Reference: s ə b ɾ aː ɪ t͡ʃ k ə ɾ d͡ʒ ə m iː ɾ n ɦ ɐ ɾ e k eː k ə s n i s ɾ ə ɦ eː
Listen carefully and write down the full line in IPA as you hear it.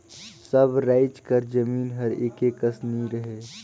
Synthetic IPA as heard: s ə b ɾ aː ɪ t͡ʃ k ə ɾ d͡ʒ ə m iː n ɦ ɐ ɾ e k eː k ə s n i ɾ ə ɦ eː